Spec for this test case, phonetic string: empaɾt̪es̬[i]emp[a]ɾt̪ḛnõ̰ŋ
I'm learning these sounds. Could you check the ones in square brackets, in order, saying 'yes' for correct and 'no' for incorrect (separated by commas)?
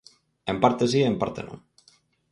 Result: yes, yes